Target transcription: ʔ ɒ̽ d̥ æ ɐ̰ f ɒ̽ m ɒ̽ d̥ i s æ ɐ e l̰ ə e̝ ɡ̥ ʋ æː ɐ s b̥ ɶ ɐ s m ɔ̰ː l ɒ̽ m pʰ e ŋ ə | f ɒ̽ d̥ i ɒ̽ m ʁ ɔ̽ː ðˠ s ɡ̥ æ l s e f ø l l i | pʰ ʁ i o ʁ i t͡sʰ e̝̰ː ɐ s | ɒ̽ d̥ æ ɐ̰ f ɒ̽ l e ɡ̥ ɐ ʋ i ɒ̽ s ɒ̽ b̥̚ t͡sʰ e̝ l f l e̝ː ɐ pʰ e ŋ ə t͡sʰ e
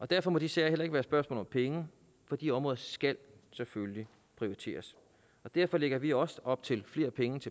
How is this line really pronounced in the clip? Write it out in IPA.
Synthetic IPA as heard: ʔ ɒ̽ d̥ æ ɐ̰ f ɒ̽ m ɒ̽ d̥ i s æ ɐ e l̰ ɐ e̝ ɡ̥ ʋ æː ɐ s b̥ ɶ ɐ s m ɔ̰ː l ɒ̽ m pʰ e ŋ ə | f ɒ̽ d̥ i ɒ̽ m ʁ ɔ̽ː ðˠ s ɡ̥ æ l s e f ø l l i | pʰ ʁ i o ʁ i t͡sʰ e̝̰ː ɐ s | ɒ̽ d̥ æ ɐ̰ f ɒ̽ l e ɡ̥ ɐ ʋ i ɒ̽ s ɒ̽ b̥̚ t͡sʰ e̝ l f l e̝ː ɐ pʰ e ŋ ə t͡sʰ e